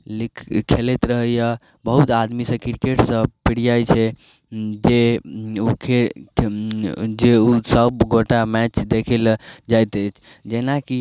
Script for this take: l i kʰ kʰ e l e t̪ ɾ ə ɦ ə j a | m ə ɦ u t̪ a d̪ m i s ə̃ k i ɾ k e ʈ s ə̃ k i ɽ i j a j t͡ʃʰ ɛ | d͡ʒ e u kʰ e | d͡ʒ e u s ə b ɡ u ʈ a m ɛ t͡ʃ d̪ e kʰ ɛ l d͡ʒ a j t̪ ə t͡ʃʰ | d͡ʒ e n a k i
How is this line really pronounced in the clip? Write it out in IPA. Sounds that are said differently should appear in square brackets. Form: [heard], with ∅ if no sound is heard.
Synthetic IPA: l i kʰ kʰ e l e t̪ ɾ ə ɦ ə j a | [b] ə ɦ u t̪ a d̪ m i s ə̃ k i ɾ k e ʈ s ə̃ [p] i ɽ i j a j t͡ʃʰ ɛ | d͡ʒ e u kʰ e | d͡ʒ e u s ə b ɡ [o] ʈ a m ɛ t͡ʃ d̪ e kʰ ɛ l d͡ʒ a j t̪ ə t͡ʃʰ | d͡ʒ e n a k i